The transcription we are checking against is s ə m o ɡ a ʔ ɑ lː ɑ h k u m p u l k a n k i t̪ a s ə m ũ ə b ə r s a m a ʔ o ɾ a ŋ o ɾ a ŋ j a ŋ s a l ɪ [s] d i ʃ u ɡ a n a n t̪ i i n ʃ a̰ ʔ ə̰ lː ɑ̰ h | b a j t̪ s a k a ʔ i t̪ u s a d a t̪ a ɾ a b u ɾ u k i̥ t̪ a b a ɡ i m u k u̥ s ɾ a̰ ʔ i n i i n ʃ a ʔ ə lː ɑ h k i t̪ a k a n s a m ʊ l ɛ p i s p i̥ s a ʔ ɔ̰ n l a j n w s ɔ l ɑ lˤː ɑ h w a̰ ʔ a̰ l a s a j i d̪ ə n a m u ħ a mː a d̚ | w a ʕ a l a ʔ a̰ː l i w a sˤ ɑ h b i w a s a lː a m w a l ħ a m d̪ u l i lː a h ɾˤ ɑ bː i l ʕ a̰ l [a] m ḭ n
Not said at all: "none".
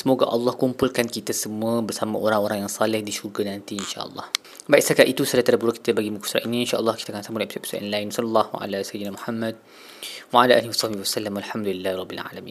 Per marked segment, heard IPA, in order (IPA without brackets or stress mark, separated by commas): h, a